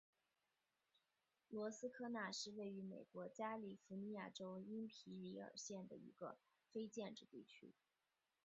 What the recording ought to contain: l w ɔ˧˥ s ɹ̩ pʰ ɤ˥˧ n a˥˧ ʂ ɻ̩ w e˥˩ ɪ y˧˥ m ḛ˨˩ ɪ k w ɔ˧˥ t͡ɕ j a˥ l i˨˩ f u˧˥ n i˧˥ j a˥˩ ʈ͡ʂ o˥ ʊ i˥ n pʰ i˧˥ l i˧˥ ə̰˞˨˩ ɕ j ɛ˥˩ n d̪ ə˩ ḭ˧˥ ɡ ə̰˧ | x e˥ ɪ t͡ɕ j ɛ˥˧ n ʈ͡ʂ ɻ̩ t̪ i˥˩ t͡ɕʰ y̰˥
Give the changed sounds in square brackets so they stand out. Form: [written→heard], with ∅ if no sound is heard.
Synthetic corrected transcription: l w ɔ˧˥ s ɹ̩ [pʰ→kʰ] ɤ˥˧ n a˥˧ ʂ ɻ̩ w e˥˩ ɪ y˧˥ m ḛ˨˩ ɪ k w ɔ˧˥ t͡ɕ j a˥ l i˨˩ f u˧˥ n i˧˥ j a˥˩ ʈ͡ʂ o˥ ʊ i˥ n pʰ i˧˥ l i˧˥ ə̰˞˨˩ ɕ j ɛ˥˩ n d̪ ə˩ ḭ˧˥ ɡ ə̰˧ | [x→f] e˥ ɪ t͡ɕ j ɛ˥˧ n ʈ͡ʂ ɻ̩ t̪ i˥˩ t͡ɕʰ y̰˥

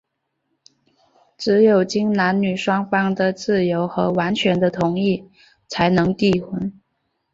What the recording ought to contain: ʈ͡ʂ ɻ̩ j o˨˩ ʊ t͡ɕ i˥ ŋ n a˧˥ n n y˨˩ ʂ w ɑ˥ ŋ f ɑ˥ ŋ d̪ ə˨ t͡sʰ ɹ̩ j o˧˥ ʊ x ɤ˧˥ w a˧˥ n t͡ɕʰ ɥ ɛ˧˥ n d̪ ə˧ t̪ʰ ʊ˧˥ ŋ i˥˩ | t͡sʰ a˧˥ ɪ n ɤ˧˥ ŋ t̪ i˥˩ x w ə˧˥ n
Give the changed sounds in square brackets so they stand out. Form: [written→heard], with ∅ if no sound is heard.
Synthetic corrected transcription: ʈ͡ʂ ɻ̩ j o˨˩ ʊ t͡ɕ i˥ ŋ n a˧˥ n n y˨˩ ʂ w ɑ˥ ŋ f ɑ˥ ŋ d̪ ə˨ [t͡sʰ→t͡s] ɹ̩ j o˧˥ ʊ x ɤ˧˥ w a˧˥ n t͡ɕʰ ɥ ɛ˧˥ n d̪ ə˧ t̪ʰ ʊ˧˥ ŋ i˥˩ | t͡sʰ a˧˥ ɪ n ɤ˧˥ ŋ t̪ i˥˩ x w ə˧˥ n

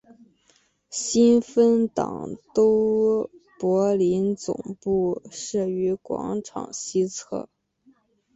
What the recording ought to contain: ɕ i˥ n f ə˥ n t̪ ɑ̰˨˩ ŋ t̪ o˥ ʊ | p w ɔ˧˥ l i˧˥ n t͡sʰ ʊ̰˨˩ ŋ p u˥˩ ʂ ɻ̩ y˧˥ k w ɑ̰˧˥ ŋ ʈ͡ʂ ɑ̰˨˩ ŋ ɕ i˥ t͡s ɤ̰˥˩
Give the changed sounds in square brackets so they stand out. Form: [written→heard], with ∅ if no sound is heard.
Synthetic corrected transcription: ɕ i˥ n f ə˥ n t̪ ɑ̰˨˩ ŋ t̪ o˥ ʊ | p w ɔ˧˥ l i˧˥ n [t͡sʰ→t͡s] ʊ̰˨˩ ŋ p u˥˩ ʂ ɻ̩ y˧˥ k w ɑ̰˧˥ ŋ [ʈ͡ʂ→ʈ͡ʂʰ] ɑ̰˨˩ ŋ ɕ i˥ [t͡s→t͡sʰ] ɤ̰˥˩

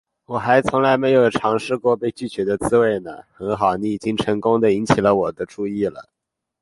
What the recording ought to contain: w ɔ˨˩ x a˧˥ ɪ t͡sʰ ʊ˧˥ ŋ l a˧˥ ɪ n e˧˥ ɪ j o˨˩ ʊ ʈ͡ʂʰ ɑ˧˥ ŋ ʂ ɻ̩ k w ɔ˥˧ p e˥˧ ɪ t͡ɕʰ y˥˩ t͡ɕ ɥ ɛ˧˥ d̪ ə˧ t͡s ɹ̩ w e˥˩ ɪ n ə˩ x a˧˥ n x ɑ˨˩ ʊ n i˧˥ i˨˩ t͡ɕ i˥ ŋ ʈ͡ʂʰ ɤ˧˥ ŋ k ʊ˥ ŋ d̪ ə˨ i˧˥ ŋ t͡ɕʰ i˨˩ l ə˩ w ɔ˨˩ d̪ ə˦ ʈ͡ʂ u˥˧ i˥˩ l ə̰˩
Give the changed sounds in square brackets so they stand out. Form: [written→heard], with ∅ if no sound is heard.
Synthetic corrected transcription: w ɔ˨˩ x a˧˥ ɪ t͡sʰ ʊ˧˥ ŋ l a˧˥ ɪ [n→m] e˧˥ ɪ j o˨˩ ʊ ʈ͡ʂʰ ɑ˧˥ ŋ ʂ ɻ̩ k w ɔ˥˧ p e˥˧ ɪ [t͡ɕʰ→t͡ɕ] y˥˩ t͡ɕ ɥ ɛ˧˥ d̪ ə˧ t͡s ɹ̩ w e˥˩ ɪ n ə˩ x [a˧˥→ə˧˥] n x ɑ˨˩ ʊ n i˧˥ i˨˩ t͡ɕ i˥ ŋ ʈ͡ʂʰ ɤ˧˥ ŋ k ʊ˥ ŋ d̪ ə˨ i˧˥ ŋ t͡ɕʰ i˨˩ l [ə˩→ə˦] w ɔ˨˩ d̪ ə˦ ʈ͡ʂ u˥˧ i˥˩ l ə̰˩

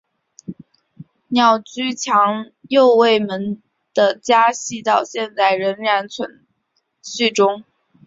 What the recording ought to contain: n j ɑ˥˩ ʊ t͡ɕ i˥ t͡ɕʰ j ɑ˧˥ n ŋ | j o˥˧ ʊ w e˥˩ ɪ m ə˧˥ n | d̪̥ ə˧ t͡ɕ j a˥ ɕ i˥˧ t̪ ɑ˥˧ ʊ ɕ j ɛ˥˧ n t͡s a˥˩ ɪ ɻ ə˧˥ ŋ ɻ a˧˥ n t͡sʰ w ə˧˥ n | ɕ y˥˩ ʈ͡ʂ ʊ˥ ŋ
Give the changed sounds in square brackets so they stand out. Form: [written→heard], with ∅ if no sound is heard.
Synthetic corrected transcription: n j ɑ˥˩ ʊ t͡ɕ [i˥→y˥] t͡ɕʰ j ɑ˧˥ [n→∅] ŋ | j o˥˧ ʊ w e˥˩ ɪ m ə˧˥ n | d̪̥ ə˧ t͡ɕ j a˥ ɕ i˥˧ t̪ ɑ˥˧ ʊ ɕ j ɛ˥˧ n t͡s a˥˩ ɪ ɻ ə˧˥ [ŋ→n] ɻ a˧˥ n t͡sʰ w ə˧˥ n | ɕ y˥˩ ʈ͡ʂ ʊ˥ ŋ

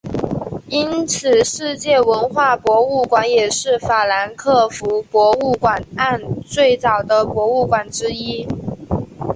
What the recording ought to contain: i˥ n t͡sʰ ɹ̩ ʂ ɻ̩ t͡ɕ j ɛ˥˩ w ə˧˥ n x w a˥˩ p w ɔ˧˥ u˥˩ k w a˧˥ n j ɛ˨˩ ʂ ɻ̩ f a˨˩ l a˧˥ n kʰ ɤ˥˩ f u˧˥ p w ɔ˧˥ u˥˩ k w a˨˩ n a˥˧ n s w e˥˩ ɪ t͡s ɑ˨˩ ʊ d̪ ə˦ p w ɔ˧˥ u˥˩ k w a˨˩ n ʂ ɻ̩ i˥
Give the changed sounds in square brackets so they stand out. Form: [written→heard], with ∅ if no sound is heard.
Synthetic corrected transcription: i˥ n t͡sʰ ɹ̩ ʂ ɻ̩ t͡ɕ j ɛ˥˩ w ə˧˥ n x w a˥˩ p w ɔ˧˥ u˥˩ k w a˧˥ n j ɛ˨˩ ʂ ɻ̩ f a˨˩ l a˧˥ n kʰ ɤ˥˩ f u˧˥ p w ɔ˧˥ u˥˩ k w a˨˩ n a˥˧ n [s→t͡s] w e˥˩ ɪ t͡s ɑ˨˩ ʊ d̪ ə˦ p w ɔ˧˥ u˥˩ k w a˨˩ n [ʂ→ʈ͡ʂ] ɻ̩ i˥

